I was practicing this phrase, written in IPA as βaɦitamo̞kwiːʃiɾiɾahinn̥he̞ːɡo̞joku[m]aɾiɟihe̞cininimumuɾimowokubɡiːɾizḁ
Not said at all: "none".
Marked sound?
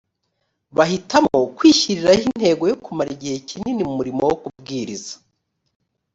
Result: m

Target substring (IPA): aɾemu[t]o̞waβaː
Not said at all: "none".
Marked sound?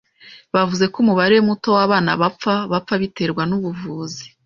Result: t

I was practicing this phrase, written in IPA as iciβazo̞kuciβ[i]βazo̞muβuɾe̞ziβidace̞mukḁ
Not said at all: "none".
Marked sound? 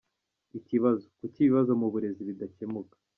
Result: i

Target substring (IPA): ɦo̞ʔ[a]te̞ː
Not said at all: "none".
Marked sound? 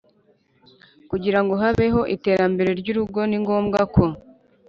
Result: i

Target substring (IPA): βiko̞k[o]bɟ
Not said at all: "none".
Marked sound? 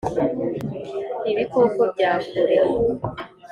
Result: o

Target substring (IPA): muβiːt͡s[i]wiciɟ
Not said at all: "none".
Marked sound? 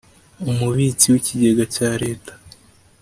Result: i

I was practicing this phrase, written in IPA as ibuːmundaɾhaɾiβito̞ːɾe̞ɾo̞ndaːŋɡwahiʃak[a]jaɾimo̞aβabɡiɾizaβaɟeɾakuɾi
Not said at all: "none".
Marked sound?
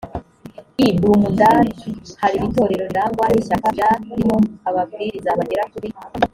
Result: a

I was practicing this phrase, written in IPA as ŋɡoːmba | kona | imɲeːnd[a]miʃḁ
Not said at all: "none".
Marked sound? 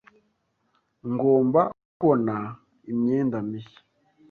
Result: a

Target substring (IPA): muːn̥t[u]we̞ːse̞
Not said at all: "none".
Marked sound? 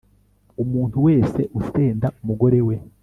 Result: u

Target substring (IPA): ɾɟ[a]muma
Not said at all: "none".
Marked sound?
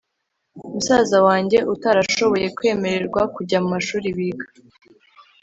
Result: a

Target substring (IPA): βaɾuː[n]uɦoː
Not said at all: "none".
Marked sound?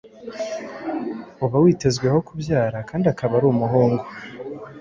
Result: m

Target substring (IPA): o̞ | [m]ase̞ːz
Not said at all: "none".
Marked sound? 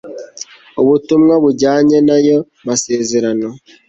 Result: m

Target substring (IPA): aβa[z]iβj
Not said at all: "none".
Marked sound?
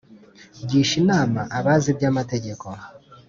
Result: z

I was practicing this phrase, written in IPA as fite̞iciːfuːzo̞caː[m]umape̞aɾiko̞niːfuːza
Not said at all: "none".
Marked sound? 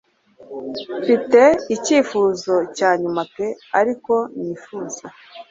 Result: ɲ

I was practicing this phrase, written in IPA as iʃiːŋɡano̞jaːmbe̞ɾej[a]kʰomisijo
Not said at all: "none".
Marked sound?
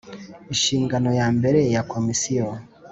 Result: a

